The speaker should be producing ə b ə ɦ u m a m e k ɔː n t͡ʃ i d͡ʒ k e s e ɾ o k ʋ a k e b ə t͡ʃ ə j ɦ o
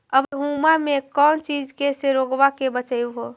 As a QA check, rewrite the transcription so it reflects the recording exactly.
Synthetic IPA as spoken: ə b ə ɦ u m a m e k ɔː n t͡ʃ i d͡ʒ k e s e ɾ o ɡ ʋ a k e b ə t͡ʃ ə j ɦ o